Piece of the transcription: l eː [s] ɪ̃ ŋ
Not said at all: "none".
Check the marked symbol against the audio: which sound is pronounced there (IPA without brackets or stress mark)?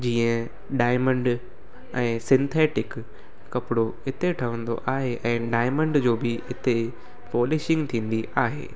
ʃ